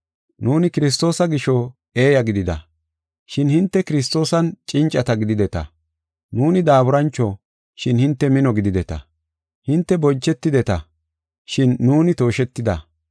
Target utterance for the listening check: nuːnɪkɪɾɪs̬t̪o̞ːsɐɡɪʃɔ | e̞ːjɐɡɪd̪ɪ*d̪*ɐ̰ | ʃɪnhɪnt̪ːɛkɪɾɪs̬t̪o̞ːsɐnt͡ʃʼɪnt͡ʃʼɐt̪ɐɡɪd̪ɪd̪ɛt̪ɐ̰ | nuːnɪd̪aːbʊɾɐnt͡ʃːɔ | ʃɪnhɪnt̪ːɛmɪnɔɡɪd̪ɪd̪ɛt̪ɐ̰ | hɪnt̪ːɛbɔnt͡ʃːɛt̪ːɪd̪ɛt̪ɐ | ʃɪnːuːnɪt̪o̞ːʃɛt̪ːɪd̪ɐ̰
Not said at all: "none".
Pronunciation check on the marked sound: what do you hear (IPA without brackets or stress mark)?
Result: d̪